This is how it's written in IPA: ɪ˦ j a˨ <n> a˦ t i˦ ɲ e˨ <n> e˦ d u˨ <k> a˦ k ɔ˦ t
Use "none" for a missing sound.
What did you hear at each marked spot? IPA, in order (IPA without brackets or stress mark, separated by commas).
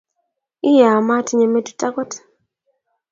m, m, t